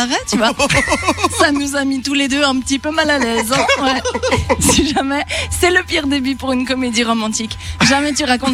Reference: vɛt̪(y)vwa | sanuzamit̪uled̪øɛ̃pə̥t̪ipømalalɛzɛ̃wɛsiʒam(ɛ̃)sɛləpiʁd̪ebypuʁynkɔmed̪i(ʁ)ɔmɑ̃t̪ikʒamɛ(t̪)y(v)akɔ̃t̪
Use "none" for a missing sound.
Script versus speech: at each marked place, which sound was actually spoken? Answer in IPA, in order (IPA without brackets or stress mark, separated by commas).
y, ɛ, ʁ, t̪, ʁ